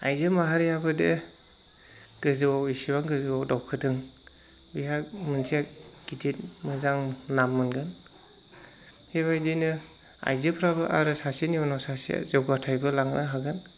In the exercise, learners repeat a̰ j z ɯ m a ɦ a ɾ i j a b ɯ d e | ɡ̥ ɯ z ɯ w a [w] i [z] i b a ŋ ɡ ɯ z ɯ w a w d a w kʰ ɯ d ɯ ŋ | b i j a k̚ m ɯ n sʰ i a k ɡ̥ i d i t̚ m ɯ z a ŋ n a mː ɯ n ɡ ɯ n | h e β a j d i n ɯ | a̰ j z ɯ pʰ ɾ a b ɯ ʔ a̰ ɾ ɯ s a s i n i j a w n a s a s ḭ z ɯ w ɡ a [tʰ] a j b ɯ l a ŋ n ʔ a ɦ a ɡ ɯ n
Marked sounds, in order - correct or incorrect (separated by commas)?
correct, incorrect, correct